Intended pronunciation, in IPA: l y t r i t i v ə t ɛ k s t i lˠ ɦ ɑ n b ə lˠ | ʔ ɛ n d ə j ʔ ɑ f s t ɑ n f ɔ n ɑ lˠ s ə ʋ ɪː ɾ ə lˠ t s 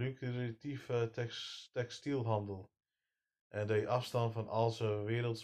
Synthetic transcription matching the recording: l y k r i t i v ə t ɛ k s t i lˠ ɦ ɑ n d ə lˠ | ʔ ɛ n d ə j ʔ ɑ f s t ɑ n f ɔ n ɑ lˠ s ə ʋ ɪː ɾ ə lˠ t s